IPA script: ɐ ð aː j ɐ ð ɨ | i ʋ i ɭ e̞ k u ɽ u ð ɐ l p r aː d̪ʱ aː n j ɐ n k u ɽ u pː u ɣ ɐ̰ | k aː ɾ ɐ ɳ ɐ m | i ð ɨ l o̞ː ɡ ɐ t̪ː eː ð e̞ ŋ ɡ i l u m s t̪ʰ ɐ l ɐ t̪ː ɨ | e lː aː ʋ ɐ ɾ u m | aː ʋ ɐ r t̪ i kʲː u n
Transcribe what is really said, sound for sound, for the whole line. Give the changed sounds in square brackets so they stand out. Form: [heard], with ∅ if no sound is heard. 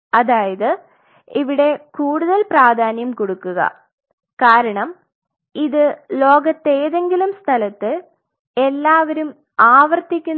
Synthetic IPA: ɐ ð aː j ɐ ð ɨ | i ʋ i [ɽ] e̞ k [uː] ɽ u ð ɐ l p r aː d̪ʱ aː n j ɐ [m] k [o] ɽ u [kː] u ɣ ɐ̰ | k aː ɾ ɐ ɳ ɐ m | i ð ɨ l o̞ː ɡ ɐ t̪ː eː ð e̞ ŋ ɡ i l u m s t̪ʰ ɐ l ɐ t̪ː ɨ | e lː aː ʋ ɐ ɾ u m | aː ʋ ɐ r t̪ i kʲː u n